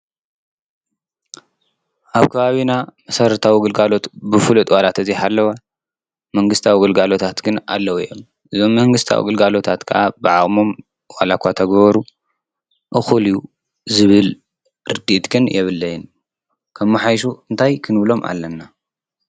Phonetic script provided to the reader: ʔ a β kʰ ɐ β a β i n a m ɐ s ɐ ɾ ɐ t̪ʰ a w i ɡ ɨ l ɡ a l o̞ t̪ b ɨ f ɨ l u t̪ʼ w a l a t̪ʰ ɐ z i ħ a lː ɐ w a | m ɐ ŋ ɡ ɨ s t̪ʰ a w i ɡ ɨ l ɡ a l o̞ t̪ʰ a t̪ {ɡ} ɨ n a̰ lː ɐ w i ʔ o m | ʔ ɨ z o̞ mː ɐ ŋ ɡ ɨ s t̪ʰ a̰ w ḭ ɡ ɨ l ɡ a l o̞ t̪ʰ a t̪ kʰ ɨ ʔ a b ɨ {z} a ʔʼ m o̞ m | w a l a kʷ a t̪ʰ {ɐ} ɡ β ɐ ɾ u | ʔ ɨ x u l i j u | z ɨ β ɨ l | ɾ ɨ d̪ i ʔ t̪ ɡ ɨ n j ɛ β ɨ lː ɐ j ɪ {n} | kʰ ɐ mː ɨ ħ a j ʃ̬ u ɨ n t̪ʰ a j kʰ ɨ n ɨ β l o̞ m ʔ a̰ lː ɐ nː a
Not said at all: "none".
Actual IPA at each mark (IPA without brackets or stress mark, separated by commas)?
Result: ɡ, ʕ, ɐ, n